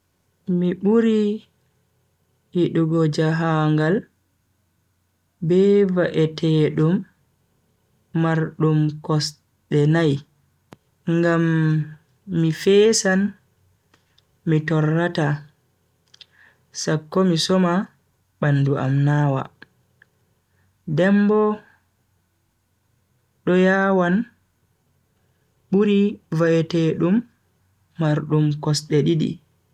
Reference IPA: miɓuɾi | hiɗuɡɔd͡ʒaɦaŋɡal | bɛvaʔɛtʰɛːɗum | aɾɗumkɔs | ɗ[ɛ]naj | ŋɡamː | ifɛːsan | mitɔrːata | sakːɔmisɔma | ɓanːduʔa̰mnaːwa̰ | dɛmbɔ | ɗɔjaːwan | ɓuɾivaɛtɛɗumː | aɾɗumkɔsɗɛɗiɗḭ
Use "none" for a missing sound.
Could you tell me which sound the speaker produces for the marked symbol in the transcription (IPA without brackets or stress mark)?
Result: ɛ